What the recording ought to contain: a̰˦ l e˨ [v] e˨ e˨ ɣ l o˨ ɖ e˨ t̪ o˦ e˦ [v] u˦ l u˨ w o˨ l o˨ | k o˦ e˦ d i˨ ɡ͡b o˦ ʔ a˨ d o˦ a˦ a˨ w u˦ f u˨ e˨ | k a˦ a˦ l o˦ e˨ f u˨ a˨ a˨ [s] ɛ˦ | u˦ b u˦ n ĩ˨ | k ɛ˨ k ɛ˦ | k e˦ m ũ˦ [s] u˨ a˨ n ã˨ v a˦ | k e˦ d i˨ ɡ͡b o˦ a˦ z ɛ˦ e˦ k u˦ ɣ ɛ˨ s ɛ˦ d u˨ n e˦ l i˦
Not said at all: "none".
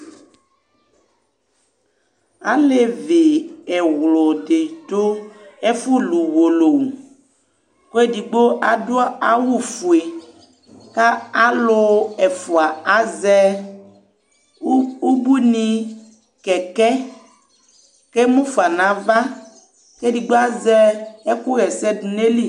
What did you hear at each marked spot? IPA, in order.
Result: v, f, z, f

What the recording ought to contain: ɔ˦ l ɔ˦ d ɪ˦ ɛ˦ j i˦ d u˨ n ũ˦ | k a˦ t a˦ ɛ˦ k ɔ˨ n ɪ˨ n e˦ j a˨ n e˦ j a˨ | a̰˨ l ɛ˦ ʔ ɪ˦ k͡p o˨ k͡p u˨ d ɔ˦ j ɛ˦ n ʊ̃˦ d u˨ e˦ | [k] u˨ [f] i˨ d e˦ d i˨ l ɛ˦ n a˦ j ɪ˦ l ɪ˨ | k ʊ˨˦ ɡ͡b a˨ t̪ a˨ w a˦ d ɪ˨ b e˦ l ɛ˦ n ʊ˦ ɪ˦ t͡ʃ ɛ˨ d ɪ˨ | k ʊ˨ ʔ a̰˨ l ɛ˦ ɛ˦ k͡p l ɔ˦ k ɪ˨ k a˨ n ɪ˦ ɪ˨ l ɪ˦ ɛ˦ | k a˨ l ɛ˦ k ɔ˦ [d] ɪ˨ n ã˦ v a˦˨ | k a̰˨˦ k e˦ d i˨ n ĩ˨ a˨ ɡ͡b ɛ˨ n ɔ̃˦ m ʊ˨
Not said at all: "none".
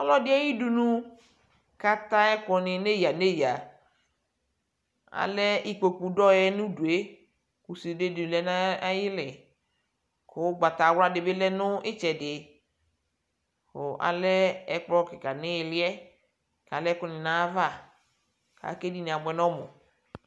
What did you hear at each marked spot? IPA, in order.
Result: k, s, n

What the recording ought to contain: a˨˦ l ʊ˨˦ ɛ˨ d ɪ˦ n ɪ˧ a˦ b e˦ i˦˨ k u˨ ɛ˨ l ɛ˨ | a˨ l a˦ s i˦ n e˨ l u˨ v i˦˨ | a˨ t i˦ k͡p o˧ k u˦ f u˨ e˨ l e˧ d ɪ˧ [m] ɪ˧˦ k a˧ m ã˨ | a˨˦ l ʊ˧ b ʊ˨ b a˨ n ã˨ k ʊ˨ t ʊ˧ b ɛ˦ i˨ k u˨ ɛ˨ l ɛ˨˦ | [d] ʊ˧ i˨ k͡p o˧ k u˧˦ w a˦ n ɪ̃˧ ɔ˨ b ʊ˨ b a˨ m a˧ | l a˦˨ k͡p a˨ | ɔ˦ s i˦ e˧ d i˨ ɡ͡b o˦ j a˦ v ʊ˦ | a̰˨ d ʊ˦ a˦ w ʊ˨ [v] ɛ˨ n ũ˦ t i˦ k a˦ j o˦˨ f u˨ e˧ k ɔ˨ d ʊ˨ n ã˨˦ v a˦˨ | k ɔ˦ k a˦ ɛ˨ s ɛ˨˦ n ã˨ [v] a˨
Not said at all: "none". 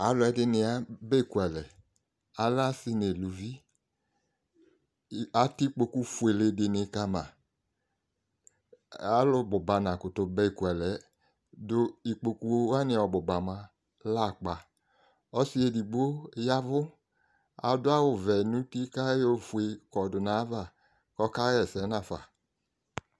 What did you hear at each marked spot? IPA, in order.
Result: n, d, v, f

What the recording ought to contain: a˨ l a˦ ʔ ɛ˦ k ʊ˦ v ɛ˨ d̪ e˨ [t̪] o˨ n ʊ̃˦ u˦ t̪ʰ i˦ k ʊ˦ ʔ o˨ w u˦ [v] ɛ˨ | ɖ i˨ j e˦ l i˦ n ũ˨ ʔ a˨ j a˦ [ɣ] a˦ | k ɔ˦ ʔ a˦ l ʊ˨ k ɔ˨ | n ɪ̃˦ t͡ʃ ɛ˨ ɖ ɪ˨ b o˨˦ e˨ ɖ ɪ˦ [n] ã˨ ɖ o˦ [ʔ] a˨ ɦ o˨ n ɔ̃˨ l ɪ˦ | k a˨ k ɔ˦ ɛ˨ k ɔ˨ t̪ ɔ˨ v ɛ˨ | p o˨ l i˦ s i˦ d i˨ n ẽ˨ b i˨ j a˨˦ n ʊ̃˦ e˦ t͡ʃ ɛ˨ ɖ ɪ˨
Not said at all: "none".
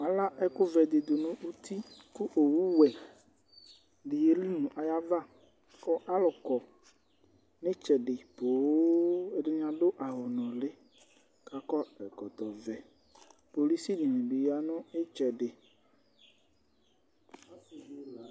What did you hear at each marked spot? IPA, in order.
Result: d̪, w, v, ɲ, ʔ

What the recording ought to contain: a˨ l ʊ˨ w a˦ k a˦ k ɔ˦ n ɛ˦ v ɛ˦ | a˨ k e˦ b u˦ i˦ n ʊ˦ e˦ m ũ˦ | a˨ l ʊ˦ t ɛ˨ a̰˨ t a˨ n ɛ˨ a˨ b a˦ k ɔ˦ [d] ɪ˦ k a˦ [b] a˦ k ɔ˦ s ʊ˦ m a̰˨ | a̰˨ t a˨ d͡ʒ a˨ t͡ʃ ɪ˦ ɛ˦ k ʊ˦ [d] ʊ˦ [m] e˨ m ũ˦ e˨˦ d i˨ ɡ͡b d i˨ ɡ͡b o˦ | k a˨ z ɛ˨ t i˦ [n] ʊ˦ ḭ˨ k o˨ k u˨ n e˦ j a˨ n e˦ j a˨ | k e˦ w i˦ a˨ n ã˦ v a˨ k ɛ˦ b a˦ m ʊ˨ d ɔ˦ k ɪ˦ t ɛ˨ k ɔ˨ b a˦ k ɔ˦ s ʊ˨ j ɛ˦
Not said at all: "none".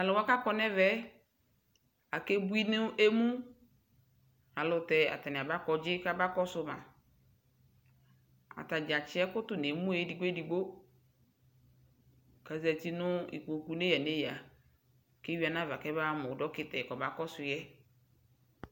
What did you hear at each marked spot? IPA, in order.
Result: d͡ʒ, b, t, n, n

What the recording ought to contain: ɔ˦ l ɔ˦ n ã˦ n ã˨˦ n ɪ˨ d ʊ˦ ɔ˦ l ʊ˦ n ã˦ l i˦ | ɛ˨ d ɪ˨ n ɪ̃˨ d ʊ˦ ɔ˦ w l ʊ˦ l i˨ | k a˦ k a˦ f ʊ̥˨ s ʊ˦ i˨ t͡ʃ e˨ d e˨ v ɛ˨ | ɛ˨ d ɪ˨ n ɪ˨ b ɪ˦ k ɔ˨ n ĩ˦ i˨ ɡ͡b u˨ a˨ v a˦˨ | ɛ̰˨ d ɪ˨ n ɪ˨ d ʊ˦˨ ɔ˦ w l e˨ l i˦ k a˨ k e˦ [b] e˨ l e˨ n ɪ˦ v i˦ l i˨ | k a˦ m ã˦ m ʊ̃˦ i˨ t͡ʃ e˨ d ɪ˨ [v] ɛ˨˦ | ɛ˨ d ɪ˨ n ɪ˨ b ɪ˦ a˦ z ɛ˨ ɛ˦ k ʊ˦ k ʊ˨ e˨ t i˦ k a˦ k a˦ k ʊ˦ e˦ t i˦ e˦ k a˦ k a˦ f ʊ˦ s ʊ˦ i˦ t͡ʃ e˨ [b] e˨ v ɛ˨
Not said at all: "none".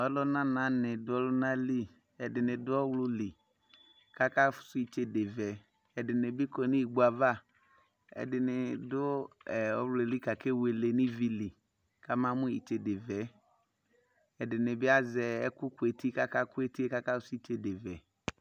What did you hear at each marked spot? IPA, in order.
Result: w, v, d

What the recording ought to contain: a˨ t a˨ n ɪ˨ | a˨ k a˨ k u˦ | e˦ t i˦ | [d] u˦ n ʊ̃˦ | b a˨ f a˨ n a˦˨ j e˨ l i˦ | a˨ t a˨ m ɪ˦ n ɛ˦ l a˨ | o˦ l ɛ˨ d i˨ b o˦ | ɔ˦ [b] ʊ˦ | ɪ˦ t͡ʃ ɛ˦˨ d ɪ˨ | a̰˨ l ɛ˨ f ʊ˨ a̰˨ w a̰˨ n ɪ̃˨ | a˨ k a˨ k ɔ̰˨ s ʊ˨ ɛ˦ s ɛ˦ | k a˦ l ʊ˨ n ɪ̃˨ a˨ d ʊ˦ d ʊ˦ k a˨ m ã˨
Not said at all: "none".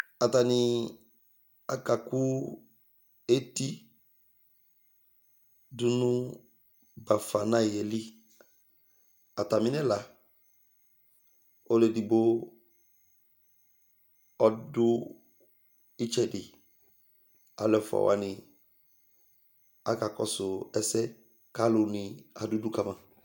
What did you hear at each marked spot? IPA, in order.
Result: d, d

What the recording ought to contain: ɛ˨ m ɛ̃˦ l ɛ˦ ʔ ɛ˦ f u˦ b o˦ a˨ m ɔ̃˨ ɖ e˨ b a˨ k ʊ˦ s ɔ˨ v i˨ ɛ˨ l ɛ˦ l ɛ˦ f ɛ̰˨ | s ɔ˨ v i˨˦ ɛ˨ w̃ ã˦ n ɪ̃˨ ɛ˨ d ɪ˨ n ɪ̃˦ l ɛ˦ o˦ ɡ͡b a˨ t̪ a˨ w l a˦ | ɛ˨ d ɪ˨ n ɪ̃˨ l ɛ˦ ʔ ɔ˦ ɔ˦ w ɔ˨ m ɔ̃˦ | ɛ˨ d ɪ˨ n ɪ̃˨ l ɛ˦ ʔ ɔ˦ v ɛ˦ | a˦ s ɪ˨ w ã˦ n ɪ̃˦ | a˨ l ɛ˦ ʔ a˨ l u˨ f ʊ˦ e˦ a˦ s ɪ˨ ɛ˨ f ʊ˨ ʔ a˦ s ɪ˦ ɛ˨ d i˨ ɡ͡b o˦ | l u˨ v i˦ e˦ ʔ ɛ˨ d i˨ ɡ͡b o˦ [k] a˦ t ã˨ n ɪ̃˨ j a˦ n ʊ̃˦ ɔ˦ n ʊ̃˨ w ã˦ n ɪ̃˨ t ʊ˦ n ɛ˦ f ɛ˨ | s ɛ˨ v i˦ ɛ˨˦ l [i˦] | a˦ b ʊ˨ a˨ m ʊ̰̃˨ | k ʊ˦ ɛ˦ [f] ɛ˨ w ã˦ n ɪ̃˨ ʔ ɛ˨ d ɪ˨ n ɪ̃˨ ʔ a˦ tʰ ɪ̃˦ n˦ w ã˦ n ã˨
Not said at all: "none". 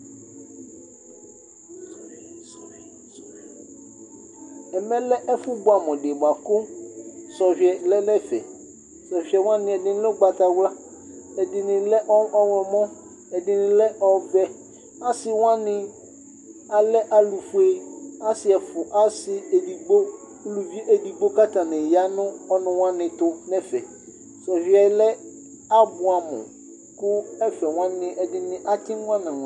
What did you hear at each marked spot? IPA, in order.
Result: k, ɛ˦, f

